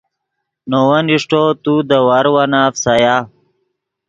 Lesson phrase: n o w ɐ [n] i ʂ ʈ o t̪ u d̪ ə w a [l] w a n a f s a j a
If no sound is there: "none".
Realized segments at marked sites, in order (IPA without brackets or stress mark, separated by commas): n, ɾ